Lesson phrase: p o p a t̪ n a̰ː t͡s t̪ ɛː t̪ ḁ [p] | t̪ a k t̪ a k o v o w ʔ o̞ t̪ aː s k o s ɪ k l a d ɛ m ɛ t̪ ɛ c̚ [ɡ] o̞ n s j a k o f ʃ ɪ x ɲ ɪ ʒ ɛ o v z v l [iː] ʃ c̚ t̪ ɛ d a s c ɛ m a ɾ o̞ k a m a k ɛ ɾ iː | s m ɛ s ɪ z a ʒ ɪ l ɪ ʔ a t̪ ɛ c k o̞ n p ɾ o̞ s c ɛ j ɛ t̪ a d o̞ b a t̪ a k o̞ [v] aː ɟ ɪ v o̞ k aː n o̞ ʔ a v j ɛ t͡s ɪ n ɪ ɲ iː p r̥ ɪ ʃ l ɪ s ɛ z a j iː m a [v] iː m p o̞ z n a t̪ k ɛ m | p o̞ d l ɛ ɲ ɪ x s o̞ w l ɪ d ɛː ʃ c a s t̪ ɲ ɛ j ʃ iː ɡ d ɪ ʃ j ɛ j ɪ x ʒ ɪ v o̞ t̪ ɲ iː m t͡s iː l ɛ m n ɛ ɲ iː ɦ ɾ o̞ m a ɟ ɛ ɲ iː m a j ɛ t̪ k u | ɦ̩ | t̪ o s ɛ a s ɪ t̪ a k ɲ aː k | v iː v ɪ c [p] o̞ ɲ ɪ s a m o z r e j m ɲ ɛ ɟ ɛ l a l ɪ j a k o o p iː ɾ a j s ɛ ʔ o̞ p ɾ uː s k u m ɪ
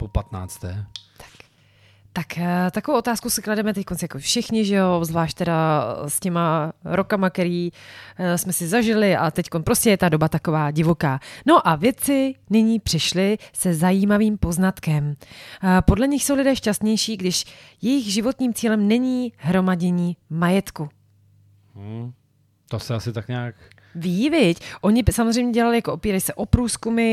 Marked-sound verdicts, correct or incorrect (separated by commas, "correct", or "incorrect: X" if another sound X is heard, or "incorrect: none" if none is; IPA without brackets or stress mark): incorrect: k, incorrect: k, incorrect: aː, correct, correct, incorrect: ʔ